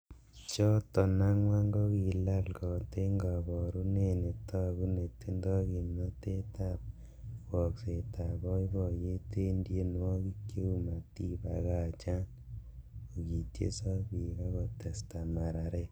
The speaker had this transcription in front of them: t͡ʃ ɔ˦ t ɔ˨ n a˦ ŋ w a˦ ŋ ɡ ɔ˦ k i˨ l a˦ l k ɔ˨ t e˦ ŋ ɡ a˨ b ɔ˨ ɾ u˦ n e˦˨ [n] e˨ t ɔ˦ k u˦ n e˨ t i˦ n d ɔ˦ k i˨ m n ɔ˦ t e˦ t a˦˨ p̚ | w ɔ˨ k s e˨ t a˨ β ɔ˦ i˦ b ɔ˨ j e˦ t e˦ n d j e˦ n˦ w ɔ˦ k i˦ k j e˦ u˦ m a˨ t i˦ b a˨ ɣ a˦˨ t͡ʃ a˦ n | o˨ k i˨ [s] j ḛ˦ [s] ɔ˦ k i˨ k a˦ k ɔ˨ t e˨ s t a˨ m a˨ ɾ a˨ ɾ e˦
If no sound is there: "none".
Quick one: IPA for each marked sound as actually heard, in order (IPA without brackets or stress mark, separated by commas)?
n, t, s